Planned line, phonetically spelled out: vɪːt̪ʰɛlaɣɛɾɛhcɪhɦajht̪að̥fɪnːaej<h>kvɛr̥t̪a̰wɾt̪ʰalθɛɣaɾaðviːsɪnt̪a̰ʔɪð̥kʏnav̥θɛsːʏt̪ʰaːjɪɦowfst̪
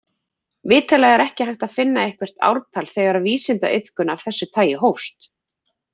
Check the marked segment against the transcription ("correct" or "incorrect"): correct